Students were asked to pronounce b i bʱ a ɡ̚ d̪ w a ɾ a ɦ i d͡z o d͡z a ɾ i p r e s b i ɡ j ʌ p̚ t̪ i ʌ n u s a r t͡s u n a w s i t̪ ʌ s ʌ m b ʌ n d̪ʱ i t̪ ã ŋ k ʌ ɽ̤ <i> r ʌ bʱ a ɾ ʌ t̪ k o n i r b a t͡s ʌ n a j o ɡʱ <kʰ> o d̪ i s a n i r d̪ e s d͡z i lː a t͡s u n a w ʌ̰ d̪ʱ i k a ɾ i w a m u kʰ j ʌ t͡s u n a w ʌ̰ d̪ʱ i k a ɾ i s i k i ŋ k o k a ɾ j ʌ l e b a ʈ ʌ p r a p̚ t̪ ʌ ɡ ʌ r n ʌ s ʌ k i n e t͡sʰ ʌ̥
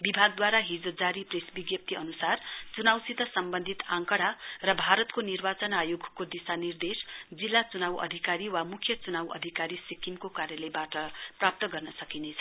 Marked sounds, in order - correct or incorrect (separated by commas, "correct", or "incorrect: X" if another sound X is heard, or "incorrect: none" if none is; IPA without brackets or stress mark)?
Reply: incorrect: a, incorrect: k